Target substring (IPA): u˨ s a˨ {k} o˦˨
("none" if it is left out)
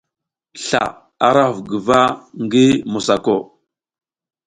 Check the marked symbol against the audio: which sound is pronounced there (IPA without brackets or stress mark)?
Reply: k